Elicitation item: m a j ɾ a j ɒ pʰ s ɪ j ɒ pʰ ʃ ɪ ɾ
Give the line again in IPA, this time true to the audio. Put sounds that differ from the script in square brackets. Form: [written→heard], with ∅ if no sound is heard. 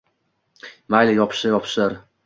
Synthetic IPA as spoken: m a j [ɾ→l] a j ɒ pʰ [s→ʃ] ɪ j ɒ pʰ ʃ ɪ ɾ